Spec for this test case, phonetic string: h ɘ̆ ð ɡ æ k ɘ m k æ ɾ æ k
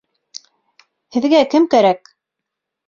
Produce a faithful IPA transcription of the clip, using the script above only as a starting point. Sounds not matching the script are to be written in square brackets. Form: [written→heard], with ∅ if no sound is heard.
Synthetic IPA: h ɘ̆ ð ɡ æ k ɘ m k æ ɾ æ k

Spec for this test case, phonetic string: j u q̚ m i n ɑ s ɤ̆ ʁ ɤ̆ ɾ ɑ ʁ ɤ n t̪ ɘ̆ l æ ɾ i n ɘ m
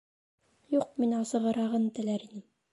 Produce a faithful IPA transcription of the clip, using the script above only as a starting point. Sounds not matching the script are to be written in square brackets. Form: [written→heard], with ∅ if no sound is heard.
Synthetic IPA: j u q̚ m i n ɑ s ɤ̆ ʁ ɤ̆ ɾ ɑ ʁ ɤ n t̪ ɘ̆ l æ ɾ i n ɘ m

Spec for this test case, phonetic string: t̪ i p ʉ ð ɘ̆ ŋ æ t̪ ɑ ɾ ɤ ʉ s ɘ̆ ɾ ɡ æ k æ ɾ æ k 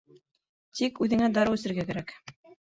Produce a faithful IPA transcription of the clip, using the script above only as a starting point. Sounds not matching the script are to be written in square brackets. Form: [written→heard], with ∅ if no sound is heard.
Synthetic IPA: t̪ i [p→k] ʉ ð ɘ̆ ŋ æ [t̪→d̪] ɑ ɾ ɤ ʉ s ɘ̆ ɾ ɡ æ k æ ɾ æ k

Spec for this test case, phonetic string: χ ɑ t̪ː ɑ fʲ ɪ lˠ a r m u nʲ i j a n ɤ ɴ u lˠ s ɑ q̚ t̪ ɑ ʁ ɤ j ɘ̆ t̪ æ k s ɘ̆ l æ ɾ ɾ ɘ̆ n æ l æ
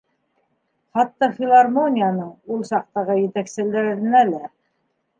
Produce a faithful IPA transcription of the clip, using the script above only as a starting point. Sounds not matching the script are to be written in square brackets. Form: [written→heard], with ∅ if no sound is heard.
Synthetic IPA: χ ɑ t̪ː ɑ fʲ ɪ lˠ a r m [u→o] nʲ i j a n ɤ ɴ u lˠ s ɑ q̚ t̪ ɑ ʁ ɤ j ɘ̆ t̪ æ k s ɘ̆ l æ ɾ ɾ ɘ̆ n æ l æ

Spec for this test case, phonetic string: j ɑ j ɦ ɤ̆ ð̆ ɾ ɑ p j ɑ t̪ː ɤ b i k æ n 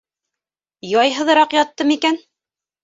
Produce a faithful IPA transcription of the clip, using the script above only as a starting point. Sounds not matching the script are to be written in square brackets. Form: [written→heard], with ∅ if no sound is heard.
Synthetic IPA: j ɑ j ɦ ɤ̆ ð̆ ɾ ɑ [p→q] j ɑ t̪ː ɤ [b→m] i k æ n

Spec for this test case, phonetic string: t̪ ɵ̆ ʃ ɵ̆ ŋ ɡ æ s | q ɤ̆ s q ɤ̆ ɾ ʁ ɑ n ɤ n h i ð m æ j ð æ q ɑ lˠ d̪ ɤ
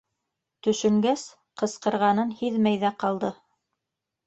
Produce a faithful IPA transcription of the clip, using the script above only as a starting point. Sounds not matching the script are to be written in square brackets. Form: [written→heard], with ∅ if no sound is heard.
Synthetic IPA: t̪ ɵ̆ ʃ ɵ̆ ŋ ɡ æ s | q ɤ̆ s q ɤ̆ ɾ ʁ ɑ n ɤ n h i ð m æ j ð æ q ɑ lˠ d̪ ɤ

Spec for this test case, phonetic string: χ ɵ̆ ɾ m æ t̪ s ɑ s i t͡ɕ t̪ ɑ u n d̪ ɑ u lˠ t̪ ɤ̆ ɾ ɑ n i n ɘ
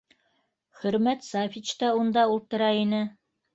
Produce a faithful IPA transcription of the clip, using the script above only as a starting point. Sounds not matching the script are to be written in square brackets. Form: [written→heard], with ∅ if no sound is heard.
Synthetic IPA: χ ɵ̆ ɾ m æ t̪ s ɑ [s→f] i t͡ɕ t̪ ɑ u n d̪ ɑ u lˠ t̪ ɤ̆ ɾ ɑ [n→∅] i n ɘ

